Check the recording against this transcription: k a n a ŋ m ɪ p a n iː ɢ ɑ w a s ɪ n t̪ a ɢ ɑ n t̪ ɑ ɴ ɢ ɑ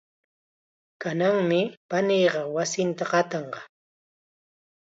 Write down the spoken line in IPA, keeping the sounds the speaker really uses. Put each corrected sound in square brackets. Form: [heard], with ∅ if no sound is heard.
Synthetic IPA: k a n a ŋ m ɪ p a n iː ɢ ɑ w a s ɪ n t̪ a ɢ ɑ [∅] t̪ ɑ ɴ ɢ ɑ